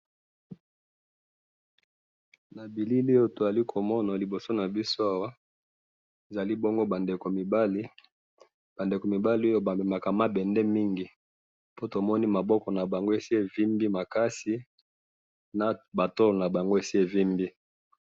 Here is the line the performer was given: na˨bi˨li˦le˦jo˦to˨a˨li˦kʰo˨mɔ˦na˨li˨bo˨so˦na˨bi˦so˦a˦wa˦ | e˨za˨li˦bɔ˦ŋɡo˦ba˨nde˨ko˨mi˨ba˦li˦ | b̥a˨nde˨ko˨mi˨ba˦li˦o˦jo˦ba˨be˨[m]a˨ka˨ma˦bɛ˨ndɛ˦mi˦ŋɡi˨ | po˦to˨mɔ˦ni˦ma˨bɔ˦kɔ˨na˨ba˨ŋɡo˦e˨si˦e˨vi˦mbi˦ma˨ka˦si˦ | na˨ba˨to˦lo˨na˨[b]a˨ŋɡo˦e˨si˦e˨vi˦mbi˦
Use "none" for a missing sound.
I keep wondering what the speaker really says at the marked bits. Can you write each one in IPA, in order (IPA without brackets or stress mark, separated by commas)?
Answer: m, b